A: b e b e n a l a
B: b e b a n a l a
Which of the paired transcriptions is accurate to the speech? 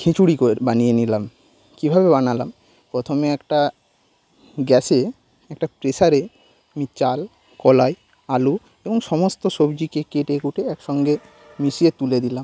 B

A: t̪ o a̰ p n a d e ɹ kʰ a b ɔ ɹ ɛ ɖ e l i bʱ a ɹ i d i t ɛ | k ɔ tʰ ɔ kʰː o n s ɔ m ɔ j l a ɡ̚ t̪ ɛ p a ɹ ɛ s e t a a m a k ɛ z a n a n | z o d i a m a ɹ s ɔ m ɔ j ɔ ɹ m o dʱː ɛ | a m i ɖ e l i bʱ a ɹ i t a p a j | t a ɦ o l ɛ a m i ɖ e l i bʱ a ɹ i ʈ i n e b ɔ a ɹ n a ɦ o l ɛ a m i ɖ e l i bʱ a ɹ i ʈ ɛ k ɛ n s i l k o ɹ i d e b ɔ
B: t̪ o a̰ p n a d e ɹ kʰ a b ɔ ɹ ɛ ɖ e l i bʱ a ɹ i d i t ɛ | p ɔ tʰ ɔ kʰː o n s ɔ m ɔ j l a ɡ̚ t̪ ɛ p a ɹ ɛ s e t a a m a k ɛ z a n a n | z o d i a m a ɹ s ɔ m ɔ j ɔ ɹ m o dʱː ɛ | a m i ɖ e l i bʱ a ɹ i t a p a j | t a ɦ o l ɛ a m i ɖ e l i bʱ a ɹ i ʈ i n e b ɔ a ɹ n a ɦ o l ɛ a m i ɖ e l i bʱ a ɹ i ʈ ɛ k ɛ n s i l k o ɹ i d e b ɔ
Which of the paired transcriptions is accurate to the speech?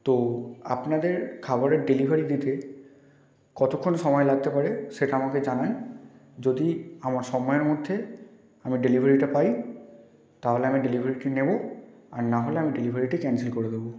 A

